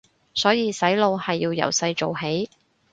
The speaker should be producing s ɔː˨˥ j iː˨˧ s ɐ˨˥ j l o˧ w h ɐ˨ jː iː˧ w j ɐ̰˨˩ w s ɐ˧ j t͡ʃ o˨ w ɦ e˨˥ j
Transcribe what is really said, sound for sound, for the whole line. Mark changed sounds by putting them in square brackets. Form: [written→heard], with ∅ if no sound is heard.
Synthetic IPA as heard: s ɔː˨˥ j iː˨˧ s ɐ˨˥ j l o˧ w h ɐ˨ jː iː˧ w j ɐ̰˨˩ w s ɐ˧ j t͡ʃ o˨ w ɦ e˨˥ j